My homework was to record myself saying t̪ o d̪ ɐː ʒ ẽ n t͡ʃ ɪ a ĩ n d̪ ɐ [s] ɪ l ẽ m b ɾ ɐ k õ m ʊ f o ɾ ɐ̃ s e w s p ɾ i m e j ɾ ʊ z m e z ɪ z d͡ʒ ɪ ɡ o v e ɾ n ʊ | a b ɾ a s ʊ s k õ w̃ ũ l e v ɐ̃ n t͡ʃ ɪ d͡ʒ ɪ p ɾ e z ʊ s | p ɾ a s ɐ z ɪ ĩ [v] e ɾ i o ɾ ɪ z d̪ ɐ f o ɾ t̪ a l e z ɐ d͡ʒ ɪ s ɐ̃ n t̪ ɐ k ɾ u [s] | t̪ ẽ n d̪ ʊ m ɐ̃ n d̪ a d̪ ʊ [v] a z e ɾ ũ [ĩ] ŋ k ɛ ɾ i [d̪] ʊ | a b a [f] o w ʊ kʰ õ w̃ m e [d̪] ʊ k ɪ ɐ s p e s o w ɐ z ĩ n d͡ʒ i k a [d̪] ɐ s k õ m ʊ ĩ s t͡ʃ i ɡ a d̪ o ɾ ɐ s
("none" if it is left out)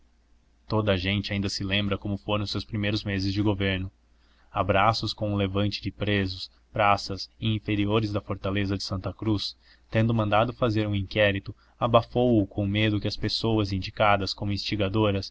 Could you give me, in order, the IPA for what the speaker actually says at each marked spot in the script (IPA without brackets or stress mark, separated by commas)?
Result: s, f, s, f, ĩ, t̪, f, d̪, d̪